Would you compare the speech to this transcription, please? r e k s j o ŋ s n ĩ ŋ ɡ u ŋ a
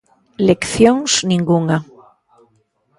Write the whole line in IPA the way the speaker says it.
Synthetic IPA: l e k θ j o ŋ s n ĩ ŋ ɡ u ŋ a